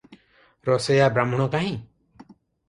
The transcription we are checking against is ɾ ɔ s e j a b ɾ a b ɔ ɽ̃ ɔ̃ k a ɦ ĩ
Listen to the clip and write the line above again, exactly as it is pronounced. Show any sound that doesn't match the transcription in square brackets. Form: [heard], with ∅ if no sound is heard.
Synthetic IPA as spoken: ɾ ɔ s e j a b ɾ a [m] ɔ ɽ̃ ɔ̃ k a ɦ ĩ

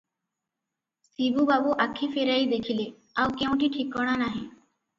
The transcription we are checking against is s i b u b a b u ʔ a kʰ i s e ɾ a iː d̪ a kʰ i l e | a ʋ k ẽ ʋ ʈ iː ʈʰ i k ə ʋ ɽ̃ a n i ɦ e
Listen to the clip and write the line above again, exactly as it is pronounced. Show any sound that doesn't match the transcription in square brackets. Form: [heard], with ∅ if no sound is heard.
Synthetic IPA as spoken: s i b u b a b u ʔ a kʰ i [f] e ɾ a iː d̪ [e] kʰ i l e | a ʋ k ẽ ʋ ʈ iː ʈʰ i k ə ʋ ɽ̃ a n [a] ɦ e

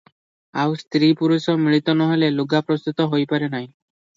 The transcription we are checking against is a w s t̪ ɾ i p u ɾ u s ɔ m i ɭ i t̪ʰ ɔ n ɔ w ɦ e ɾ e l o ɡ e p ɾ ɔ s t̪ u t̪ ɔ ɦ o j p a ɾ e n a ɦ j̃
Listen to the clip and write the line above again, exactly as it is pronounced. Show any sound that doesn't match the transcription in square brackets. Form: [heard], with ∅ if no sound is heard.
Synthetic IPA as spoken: a w s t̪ ɾ i p u ɾ u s ɔ m i ɭ i [t̪] ɔ n ɔ [∅] ɦ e [l] e l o ɡ [a] p ɾ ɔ s t̪ u t̪ ɔ ɦ o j p a ɾ e n a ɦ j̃

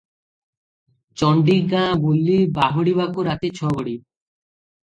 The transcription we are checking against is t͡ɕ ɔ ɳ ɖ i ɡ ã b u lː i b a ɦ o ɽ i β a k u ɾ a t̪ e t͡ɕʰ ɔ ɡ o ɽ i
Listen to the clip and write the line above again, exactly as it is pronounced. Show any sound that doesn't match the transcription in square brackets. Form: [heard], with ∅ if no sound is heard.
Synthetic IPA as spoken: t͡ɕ ɔ ɳ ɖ i ɡ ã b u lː i b a ɦ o ɽ i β a k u ɾ a t̪ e t͡ɕʰ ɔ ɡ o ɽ i

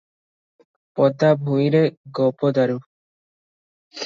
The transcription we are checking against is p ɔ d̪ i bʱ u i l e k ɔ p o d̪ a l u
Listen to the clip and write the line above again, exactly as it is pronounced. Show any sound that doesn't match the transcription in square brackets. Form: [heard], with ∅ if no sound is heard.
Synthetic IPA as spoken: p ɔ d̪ [a] bʱ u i [ɾ] e [ɡ] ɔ p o d̪ a [ɾ] u

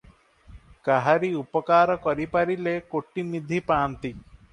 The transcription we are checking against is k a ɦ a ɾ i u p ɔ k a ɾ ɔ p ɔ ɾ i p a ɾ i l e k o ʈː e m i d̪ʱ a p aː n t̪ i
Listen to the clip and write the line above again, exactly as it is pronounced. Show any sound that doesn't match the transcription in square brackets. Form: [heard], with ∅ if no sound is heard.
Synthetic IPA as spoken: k a ɦ a ɾ i u p ɔ k a ɾ ɔ [k] ɔ ɾ i p a ɾ i l e k o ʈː [i] m i d̪ʱ [i] p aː n t̪ i

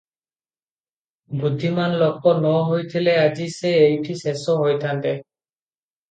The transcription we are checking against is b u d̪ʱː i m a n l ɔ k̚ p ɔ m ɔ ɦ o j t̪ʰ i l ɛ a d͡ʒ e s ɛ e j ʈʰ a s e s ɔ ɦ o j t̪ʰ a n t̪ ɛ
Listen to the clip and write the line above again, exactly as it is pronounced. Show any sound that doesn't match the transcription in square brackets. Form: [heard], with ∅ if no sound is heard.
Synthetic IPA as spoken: b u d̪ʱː i m a n l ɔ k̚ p ɔ [n] ɔ ɦ o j t̪ʰ i l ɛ a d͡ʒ [i] s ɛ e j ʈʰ [i] s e s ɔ ɦ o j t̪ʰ a n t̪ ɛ

